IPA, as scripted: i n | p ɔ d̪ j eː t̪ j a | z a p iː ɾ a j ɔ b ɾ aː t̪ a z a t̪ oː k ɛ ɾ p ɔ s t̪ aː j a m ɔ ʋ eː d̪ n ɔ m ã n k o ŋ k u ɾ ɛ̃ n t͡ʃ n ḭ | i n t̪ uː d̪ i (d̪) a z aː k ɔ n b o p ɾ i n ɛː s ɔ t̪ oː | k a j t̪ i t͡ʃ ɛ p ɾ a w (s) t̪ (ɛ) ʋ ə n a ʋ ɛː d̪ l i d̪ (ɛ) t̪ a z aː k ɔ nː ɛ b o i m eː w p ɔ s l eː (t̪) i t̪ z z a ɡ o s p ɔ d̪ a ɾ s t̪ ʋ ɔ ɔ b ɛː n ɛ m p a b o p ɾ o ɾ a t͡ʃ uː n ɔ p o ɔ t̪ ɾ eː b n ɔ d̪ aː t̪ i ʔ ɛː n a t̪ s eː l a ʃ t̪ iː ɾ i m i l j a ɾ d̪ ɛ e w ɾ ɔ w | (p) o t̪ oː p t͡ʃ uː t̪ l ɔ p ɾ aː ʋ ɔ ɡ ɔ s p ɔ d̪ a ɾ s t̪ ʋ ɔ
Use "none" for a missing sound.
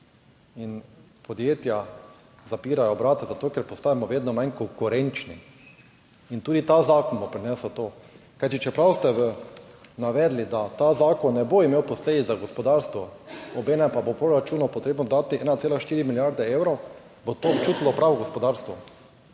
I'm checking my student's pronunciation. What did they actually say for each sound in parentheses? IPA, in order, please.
t̪, s, ɛ, a, d̪, b

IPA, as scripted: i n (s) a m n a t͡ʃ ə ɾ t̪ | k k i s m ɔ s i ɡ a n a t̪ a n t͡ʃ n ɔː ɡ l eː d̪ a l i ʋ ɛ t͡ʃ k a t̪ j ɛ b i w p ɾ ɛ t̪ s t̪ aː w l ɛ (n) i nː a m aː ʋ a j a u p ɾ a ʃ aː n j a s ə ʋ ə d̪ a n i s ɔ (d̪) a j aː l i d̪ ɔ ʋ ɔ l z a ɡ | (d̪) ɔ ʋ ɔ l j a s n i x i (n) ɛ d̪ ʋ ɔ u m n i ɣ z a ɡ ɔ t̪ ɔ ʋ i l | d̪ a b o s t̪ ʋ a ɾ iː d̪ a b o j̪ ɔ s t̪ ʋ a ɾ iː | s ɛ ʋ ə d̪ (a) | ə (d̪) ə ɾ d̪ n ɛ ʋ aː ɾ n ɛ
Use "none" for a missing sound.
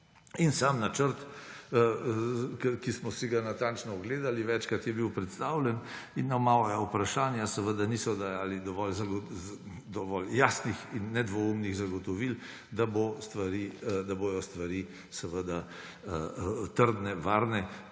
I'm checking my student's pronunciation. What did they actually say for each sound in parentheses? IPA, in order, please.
s, n, d̪, d̪, nː, a, t̪

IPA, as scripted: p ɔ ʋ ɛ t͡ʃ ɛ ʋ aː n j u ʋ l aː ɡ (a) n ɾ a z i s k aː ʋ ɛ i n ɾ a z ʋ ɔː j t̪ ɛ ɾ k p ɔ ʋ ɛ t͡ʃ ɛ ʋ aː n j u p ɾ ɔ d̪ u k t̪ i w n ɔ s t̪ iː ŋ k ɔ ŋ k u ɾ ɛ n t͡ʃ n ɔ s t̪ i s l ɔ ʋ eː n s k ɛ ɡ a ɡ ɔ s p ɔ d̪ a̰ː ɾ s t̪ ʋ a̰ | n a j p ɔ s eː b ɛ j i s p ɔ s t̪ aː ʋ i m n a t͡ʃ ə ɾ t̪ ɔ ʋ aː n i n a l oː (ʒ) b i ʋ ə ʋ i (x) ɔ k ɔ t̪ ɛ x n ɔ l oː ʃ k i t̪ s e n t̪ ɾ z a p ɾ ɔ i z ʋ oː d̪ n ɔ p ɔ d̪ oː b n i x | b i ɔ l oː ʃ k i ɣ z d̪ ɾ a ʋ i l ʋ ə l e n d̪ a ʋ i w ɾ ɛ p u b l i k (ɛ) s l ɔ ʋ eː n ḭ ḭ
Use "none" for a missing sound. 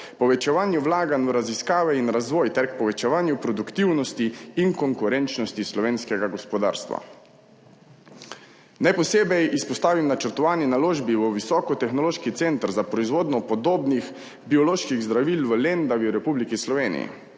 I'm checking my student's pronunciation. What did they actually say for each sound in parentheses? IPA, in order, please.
a, ʒ, s, i

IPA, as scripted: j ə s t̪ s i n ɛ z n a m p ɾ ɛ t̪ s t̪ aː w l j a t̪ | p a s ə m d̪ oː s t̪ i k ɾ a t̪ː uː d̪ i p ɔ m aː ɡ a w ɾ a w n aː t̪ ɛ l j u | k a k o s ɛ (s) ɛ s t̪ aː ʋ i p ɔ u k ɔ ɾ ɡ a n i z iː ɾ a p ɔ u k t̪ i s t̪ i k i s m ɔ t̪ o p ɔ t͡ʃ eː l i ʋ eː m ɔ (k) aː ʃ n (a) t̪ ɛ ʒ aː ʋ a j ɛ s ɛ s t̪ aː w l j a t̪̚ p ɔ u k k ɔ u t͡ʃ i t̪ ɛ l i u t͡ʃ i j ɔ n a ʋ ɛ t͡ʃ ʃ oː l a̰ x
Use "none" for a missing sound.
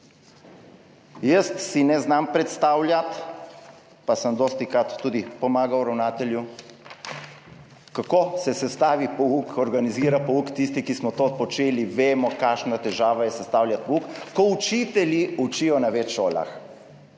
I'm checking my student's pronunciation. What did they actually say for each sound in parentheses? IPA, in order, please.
s, k, a

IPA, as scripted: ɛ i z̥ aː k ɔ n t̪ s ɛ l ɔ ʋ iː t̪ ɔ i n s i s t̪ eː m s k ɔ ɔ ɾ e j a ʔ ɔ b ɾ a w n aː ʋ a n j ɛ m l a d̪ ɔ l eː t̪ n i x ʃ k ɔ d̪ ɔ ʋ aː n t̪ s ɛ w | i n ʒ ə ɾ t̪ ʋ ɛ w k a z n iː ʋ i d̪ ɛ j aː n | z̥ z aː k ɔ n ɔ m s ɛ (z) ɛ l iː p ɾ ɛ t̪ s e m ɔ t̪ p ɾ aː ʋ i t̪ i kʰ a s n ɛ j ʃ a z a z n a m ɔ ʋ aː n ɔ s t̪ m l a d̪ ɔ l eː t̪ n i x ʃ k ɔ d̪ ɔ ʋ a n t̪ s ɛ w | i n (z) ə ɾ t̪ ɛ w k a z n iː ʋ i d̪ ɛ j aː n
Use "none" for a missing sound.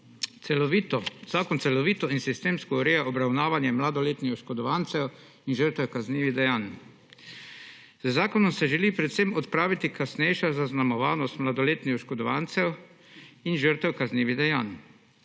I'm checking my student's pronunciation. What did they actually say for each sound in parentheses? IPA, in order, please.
ʒ, ʒ

